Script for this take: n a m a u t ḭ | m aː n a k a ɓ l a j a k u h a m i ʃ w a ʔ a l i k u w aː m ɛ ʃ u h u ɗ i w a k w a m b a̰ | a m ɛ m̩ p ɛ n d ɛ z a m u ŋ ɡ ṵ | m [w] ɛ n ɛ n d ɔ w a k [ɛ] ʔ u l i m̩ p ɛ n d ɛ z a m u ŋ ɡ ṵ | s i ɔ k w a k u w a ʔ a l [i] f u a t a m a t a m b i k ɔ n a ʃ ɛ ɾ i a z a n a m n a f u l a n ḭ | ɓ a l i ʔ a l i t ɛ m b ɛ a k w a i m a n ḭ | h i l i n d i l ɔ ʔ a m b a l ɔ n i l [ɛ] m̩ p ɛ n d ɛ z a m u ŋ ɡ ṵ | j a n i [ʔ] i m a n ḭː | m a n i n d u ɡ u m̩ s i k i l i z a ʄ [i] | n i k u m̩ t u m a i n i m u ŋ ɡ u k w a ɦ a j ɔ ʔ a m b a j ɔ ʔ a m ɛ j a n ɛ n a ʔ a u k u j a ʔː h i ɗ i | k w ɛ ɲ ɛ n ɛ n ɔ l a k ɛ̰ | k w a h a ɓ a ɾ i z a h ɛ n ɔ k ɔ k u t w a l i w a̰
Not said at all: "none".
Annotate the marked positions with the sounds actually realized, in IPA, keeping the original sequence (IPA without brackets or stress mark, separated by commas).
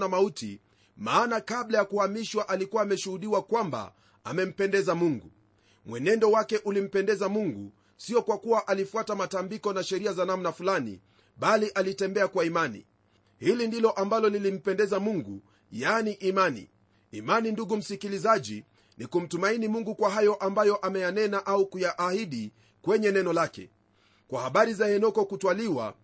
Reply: w, ɛ, i, i, ʔ, i